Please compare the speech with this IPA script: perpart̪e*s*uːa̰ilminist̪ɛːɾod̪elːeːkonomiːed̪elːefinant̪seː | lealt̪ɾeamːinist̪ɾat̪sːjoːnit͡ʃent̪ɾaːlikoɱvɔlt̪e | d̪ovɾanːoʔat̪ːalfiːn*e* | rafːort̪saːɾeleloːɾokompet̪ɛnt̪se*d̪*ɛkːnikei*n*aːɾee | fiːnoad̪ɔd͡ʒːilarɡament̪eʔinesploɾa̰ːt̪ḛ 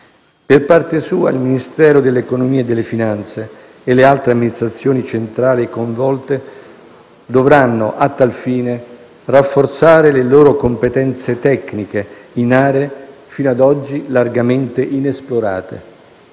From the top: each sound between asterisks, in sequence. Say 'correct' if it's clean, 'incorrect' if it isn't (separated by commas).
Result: correct, correct, incorrect, correct